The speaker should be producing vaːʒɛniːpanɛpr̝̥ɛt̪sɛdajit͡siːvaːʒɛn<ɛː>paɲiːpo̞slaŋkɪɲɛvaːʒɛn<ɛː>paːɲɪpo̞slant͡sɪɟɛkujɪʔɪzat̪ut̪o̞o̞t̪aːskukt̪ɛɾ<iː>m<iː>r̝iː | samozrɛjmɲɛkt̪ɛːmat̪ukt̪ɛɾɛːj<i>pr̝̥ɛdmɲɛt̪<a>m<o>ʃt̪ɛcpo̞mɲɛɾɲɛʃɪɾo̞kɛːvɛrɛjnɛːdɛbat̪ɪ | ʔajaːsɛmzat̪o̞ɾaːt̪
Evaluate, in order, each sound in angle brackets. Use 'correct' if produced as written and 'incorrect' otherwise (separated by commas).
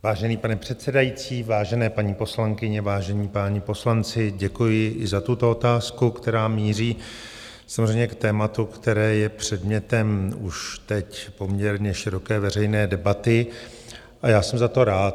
correct, incorrect, incorrect, correct, incorrect, incorrect, incorrect